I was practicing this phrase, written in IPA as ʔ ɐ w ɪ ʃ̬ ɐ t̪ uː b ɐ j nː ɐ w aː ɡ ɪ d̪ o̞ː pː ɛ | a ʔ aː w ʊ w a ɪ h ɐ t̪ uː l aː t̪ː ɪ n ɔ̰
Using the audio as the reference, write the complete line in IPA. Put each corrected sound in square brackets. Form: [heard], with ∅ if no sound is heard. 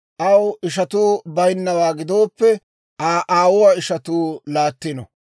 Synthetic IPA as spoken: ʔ ɐ w ɪ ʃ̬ ɐ t̪ uː b ɐ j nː ɐ w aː ɡ ɪ d̪ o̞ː pː ɛ | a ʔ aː w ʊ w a ɪ [ʃ] ɐ t̪ uː l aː t̪ː ɪ n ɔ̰